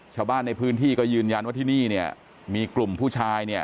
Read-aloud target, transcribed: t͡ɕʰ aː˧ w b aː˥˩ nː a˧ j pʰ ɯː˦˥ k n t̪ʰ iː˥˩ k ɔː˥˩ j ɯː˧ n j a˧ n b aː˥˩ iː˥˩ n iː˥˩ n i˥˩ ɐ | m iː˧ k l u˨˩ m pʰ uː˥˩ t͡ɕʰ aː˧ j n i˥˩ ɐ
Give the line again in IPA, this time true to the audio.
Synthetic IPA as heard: t͡ɕʰ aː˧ w b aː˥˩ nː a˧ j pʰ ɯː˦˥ n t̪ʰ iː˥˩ k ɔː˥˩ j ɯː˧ n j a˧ n w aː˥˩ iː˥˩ n iː˥˩ n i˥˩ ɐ | m iː˧ k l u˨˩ m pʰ uː˥˩ t͡ɕʰ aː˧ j n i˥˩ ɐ

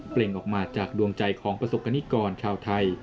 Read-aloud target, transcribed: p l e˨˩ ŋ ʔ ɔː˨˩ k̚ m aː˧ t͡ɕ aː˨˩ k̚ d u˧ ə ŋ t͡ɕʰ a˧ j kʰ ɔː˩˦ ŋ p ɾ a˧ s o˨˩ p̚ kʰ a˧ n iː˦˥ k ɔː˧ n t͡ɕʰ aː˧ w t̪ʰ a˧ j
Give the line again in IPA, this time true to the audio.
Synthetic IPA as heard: p l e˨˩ ŋ ʔ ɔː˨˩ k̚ m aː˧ t͡ɕ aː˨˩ k̚ d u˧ ə ŋ t͡ɕ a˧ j kʰ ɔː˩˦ ŋ p ɾ a˧ s o˨˩ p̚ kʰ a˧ n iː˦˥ k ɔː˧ n t͡ɕʰ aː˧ w t̪ʰ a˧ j

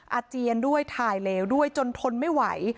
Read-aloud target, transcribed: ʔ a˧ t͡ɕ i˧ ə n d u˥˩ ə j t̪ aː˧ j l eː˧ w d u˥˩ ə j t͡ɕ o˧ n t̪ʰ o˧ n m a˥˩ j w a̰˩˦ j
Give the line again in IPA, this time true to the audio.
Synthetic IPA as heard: ʔ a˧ t͡ɕ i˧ ə n d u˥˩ ə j t̪ʰ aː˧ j l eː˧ w d u˥˩ ə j t͡ɕ o˧ n t̪ʰ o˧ n m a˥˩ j w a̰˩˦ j

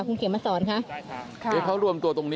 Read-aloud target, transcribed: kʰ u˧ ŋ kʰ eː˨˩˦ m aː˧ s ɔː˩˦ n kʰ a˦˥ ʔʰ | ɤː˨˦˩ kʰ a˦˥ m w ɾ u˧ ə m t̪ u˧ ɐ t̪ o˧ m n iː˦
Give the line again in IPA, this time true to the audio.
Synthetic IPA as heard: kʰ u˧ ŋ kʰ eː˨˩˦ m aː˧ s ɔː˩˦ n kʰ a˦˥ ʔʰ | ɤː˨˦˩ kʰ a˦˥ w ɾ u˧ ə m t̪ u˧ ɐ t̪ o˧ ŋ n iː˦

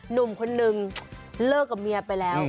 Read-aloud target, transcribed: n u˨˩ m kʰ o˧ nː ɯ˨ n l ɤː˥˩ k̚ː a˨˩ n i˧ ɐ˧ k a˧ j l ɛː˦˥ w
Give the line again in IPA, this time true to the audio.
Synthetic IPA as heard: n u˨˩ m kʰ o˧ nː ɯ˨ ŋ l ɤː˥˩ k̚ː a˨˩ m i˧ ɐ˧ p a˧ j l ɛː˦˥ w

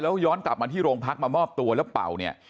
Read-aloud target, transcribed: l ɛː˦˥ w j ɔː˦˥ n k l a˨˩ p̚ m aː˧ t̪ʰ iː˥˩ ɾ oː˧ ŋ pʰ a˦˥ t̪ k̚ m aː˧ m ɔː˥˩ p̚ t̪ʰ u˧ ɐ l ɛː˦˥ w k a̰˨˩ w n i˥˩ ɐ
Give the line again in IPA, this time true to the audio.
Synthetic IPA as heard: l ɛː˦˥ w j ɔː˦˥ n k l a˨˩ p̚ m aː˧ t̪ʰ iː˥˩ ɾ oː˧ ŋ pʰ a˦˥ k̚ m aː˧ m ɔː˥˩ p̚ t̪ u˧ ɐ l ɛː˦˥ w p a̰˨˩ w n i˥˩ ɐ

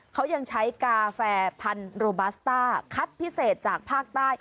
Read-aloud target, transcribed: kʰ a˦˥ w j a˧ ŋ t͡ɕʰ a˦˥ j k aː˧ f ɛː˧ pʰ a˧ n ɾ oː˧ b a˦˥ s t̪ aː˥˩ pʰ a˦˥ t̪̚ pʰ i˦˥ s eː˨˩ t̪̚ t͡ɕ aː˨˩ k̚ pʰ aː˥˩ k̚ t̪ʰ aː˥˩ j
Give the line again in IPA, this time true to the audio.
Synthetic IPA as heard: kʰ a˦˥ w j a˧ ŋ t͡ɕʰ a˦˥ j k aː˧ f ɛː˧ pʰ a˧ n ɾ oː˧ b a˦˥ s t̪ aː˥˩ kʰ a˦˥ t̪̚ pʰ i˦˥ s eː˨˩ t̪̚ t͡ɕ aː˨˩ k̚ pʰ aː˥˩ k̚ t̪ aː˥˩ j

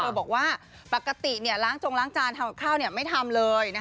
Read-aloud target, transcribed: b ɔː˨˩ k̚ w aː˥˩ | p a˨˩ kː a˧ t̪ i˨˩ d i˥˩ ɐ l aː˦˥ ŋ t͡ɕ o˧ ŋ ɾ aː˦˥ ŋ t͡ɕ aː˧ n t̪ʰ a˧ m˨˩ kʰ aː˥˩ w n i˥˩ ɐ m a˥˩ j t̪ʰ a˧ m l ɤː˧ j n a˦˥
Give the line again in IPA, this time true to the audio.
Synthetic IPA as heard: b ɔː˨˩ k̚ w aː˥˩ | p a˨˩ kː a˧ t̪ i˨˩ n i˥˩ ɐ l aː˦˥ ŋ t͡ɕ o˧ ŋ l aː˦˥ ŋ t͡ɕ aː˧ n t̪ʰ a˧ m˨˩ kʰ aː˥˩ w n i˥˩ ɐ m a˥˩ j t̪ʰ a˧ m l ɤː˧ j n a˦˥

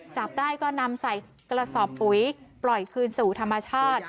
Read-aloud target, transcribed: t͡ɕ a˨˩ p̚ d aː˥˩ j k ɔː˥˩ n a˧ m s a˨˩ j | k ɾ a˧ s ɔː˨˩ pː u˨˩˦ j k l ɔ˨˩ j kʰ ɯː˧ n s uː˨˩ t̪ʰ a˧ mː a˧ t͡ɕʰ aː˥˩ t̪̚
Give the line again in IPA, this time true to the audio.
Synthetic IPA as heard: t͡ɕ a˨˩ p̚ d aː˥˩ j k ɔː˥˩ n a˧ m s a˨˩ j | k ɾ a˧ s ɔː˨˩ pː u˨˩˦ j p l ɔ˨˩ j kʰ ɯː˧ n s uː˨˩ t̪ʰ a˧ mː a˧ t͡ɕʰ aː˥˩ t̪̚

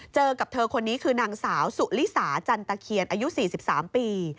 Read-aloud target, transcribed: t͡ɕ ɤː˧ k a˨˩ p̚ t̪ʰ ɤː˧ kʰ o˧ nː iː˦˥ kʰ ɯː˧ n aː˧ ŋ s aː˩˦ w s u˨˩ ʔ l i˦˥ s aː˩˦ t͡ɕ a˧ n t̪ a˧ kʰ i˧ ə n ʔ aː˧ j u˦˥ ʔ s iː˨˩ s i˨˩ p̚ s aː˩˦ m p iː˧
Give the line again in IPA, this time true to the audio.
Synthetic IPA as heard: t͡ɕ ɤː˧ k a˨˩ p̚ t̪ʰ ɤː˧ kʰ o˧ nː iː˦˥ kʰ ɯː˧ n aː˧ ŋ s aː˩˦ w s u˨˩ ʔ l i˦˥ s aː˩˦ t͡ɕ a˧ n t̪ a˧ kʰ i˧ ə n ʔ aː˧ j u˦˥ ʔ s iː˨˩ s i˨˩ p̚ s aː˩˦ m p iː˧

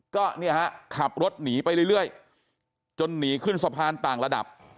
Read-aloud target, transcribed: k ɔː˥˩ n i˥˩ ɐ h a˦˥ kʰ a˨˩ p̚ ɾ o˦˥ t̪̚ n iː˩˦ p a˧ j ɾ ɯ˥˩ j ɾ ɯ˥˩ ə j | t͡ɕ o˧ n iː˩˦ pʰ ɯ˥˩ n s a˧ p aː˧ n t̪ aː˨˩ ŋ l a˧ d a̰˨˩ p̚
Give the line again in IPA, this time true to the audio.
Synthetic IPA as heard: k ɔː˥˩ n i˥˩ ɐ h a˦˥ kʰ a˨˩ p̚ ɾ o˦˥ t̪̚ n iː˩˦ p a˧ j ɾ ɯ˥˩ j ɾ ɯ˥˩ ə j | t͡ɕ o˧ nː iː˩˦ kʰ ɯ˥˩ n s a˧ pʰ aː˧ n t̪ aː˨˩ ŋ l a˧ d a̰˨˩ p̚

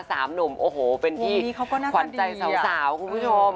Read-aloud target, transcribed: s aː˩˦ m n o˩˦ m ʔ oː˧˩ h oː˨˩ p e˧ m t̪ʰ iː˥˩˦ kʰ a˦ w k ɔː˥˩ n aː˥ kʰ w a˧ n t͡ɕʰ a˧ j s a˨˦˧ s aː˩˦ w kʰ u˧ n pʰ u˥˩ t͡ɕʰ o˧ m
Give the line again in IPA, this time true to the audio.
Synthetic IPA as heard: s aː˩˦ m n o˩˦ m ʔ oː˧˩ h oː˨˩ p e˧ n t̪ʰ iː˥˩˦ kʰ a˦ w k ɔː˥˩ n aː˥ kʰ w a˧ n t͡ɕ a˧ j s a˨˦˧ s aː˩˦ w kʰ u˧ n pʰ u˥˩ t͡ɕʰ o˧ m

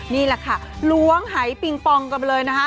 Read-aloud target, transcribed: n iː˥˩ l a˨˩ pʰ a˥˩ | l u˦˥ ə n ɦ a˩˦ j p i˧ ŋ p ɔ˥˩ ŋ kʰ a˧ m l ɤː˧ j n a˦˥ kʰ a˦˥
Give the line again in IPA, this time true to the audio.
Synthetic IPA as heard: n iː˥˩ l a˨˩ kʰ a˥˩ | l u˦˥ ə ŋ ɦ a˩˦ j p i˧ ŋ p ɔ˧ ŋ k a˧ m l ɤː˧ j n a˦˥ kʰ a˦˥

